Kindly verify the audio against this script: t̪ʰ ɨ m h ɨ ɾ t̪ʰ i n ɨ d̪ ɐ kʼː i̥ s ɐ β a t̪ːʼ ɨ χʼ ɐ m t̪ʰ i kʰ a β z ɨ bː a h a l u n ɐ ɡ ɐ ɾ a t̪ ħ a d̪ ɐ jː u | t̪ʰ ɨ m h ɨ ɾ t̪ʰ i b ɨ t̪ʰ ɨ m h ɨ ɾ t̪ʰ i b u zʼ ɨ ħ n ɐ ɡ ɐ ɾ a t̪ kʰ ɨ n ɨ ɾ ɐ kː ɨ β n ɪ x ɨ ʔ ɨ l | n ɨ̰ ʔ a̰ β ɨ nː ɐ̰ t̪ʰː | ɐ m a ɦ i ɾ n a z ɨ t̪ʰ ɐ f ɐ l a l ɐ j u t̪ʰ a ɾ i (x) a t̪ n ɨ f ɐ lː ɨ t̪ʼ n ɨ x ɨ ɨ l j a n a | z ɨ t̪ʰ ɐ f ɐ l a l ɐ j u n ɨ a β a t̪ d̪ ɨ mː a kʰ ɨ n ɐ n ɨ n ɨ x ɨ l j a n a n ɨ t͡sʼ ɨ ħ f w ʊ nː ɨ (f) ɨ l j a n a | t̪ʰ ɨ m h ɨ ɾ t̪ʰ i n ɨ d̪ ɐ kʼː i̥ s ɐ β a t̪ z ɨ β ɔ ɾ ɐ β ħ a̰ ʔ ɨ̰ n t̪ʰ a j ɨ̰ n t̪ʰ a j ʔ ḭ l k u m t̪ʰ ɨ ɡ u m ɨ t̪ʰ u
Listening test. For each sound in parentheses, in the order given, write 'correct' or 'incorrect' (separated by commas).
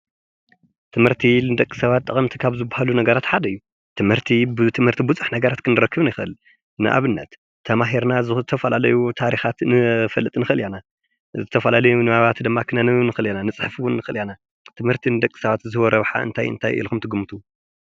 correct, incorrect